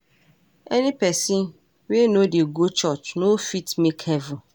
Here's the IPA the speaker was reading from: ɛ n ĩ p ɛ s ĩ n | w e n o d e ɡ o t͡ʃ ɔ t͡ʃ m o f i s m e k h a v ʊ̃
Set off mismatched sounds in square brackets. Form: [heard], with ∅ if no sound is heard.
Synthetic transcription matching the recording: ɛ n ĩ p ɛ s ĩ n | w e n o d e ɡ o t͡ʃ ɔ t͡ʃ [n] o f i [t] m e k h [ɛ] v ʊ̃